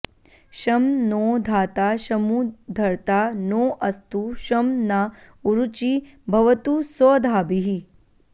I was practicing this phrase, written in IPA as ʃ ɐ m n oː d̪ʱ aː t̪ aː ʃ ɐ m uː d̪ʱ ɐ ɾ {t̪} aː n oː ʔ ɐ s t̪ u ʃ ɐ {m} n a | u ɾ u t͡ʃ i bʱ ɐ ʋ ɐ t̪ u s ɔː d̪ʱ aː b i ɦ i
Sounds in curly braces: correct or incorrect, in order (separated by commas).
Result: correct, correct